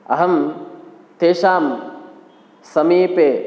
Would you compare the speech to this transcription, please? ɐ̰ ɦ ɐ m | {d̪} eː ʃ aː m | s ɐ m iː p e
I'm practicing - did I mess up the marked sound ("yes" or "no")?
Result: yes